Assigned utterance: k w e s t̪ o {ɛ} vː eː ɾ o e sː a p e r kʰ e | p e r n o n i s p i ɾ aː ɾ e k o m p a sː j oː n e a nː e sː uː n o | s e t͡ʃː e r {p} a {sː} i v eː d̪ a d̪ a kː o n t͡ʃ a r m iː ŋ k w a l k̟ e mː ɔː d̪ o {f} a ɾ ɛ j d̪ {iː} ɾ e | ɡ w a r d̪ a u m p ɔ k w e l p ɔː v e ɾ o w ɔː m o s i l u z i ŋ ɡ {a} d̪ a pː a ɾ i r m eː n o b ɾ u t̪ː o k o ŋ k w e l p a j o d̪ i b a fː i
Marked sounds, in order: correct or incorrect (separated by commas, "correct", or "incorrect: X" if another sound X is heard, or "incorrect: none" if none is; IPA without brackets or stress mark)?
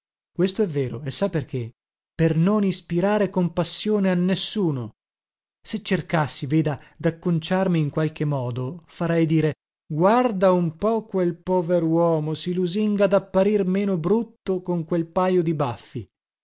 correct, incorrect: k, correct, correct, correct, correct